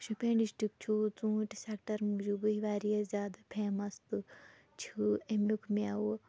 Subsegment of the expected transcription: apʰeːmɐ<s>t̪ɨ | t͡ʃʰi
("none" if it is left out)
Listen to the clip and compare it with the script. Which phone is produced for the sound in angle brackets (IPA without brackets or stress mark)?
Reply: s